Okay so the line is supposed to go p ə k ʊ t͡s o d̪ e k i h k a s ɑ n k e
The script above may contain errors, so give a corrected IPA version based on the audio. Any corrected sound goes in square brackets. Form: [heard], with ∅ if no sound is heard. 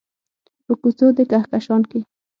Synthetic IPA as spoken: p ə k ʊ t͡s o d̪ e k [a] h k a [ʃ] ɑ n k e